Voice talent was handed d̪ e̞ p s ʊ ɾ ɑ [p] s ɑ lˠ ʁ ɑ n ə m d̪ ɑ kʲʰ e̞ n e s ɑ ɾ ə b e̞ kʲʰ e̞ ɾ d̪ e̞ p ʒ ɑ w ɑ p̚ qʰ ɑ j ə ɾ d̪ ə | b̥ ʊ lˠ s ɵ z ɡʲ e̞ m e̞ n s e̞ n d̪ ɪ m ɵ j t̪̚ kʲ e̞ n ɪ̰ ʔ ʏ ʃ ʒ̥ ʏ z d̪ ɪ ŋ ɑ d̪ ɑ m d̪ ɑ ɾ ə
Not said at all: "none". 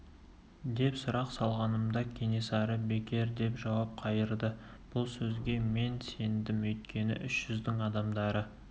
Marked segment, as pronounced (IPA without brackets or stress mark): q